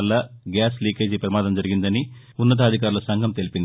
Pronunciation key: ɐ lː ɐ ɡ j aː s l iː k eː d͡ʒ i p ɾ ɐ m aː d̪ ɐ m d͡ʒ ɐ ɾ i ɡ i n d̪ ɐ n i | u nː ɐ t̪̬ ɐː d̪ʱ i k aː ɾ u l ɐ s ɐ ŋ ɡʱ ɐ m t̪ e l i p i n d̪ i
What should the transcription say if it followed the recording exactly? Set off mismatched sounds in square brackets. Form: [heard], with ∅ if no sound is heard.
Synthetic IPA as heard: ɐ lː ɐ ɡ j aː s l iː k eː d͡ʒ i p ɾ ɐ m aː d̪ ɐ m d͡ʒ ɐ ɾ i ɡ i n d̪ ɐ n i | u nː ɐ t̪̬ ɐː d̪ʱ i k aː ɾ u l ɐ s ɐ ŋ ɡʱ ɐ m t̪ e l i p i n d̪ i